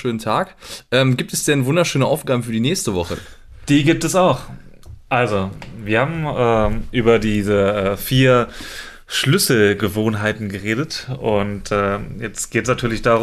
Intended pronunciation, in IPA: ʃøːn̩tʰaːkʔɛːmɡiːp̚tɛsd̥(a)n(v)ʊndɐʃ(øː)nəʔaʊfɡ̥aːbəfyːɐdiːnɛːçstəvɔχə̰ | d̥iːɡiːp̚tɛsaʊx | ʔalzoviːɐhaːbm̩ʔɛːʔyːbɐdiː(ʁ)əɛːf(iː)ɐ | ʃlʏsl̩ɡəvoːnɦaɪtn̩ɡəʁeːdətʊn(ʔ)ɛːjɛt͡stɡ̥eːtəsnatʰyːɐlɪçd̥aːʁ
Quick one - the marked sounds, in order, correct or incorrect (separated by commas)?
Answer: incorrect, correct, correct, incorrect, correct, incorrect